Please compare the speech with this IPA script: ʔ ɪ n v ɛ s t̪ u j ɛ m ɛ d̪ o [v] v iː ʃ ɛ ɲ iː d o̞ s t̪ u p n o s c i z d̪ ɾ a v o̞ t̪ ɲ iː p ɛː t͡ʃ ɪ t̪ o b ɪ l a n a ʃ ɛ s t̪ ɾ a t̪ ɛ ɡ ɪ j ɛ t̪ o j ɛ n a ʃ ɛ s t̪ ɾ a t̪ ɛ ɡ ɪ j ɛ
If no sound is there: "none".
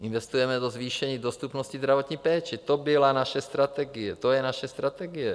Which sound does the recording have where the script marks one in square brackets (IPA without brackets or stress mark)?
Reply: z